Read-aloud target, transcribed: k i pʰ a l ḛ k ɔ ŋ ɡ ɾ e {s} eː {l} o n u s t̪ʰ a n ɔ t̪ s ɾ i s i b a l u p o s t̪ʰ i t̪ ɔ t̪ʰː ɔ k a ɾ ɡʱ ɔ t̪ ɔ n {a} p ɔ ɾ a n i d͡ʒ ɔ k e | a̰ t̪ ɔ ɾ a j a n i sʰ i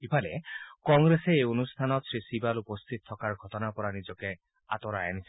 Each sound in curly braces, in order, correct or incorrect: correct, incorrect, correct

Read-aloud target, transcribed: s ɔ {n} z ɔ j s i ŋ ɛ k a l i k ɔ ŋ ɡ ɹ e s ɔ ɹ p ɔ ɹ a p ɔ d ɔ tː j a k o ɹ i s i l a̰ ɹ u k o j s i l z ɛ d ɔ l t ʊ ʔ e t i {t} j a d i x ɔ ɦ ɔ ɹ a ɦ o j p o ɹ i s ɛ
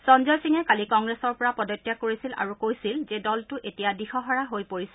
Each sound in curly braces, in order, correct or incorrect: correct, incorrect

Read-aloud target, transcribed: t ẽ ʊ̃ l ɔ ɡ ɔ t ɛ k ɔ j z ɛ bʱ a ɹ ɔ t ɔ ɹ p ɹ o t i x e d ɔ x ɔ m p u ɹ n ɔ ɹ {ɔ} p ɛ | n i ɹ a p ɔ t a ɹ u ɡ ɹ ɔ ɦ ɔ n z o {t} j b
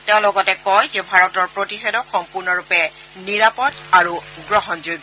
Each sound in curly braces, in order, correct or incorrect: incorrect, incorrect

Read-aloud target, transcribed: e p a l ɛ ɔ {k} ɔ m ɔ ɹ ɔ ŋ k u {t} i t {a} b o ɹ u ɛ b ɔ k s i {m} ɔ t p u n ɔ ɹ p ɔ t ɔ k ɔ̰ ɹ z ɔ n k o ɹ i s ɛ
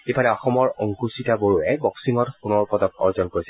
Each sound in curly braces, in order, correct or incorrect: incorrect, incorrect, correct, incorrect

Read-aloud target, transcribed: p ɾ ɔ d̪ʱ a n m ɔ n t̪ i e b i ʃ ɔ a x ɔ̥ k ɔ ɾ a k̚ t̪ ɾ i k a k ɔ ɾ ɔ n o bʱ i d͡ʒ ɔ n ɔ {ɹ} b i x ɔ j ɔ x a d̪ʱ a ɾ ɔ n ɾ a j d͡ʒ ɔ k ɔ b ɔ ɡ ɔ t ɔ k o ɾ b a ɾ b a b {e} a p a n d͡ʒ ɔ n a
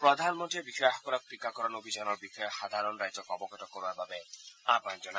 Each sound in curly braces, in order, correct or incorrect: incorrect, correct

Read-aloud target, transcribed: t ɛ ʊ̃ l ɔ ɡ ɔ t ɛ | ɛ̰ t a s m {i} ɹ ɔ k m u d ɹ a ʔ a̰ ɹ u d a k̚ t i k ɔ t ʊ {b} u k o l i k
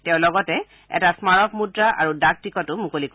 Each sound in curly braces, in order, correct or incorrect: incorrect, incorrect

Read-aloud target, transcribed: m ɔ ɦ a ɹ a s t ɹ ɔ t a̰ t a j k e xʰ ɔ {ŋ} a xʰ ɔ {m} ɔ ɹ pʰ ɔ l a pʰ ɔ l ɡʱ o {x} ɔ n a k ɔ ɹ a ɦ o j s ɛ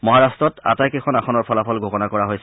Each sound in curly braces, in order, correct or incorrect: incorrect, incorrect, incorrect

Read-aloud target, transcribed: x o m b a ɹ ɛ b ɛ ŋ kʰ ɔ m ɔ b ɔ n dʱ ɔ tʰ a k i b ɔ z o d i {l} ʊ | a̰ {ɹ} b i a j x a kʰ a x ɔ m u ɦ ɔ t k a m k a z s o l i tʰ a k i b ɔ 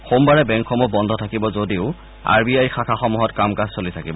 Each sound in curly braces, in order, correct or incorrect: incorrect, correct

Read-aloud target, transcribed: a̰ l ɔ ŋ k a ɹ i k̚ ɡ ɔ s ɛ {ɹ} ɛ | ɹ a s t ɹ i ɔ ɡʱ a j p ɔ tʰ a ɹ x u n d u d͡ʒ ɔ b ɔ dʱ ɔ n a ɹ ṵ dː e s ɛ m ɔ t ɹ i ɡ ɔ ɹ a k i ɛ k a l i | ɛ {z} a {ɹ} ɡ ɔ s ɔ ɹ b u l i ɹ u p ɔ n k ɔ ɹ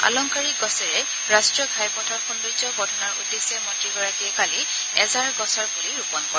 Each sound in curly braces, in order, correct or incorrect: correct, correct, correct

